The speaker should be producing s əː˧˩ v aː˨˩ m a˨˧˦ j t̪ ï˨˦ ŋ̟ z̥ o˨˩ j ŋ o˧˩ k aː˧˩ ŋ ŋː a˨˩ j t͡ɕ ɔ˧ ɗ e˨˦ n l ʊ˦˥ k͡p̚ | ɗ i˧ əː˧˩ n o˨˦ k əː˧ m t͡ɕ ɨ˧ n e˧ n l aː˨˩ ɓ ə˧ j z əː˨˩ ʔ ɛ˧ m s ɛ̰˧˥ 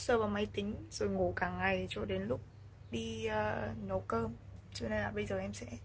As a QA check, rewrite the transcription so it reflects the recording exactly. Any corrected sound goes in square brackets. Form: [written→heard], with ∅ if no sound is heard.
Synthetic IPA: s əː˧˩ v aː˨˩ m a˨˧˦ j t̪ ï˨˦ ŋ̟ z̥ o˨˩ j ŋ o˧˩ k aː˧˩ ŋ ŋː a˨˩ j t͡ɕ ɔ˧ ɗ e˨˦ n l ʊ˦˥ k͡p̚ | ɗ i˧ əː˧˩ n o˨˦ k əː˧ m t͡ɕ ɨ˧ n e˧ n l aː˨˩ ɓ ə˧ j z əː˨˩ ʔ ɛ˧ m s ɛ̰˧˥